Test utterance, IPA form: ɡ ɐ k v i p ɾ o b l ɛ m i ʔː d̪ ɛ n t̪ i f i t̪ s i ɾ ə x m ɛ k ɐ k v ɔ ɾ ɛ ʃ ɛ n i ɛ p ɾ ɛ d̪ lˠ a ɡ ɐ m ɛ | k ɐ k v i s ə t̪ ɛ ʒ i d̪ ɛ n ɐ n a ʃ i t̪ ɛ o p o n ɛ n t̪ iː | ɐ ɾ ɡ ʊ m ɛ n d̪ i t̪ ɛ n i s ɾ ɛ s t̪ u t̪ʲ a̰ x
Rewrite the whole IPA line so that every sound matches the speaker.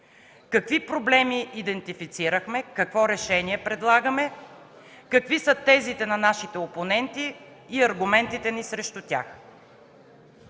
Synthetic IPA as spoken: k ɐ k v i p ɾ o b l ɛ m i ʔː d̪ ɛ n t̪ i f i t̪ s i ɾ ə x m ɛ k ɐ k v ɔ ɾ ɛ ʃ ɛ n i ɛ p ɾ ɛ d̪ lˠ a ɡ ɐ m ɛ | k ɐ k v i s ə t̪ ɛ z i t̪ ɛ n ɐ n a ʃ i t̪ ɛ o p o n ɛ n t̪ iː | ɐ ɾ ɡ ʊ m ɛ n t̪ i t̪ ɛ n i s ɾ ɛ ʃ t̪ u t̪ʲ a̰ x